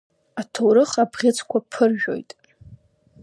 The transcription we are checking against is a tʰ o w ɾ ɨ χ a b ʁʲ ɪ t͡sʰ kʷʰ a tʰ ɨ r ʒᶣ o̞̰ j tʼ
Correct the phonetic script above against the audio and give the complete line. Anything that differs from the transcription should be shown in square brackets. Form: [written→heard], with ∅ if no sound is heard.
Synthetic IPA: a tʰ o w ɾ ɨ χ a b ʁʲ ɪ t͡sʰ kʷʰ a [tʰ→pʰ] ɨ r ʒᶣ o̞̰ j tʼ